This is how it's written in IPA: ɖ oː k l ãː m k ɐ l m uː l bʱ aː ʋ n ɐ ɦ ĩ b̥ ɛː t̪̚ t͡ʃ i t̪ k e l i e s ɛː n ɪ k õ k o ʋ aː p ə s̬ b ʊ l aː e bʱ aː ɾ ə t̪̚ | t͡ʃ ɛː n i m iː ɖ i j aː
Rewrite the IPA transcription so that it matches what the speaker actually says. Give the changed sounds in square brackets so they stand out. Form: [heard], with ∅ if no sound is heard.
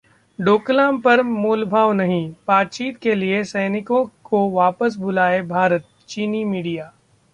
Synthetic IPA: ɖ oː k l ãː m [p] ɐ [ɾ] m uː l bʱ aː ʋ n ɐ ɦ ĩ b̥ [aː] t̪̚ t͡ʃ [iː] t̪ k e l i e s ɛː n ɪ k õ k o ʋ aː p ə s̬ b ʊ l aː e bʱ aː ɾ ə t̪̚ | t͡ʃ [iː] n i m iː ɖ i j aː